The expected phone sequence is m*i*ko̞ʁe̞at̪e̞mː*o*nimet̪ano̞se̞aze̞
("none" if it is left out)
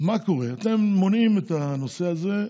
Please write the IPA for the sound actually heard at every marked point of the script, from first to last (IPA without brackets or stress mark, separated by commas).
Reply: a, o